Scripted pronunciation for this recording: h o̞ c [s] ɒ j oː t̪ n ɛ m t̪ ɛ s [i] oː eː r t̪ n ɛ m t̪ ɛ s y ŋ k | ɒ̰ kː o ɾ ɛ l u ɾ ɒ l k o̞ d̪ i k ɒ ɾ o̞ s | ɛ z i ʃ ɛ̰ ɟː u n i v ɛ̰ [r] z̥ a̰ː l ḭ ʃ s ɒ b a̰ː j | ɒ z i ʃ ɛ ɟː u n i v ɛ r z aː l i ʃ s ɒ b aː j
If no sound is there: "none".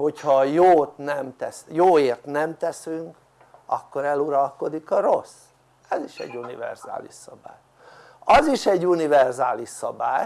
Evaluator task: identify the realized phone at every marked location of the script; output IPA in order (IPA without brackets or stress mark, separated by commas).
h, j, r